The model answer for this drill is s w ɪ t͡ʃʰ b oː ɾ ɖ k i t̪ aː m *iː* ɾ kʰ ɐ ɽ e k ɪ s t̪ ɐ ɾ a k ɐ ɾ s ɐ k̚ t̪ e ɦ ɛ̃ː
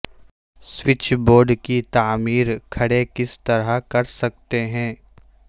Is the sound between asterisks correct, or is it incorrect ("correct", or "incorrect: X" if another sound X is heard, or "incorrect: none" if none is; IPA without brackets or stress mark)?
correct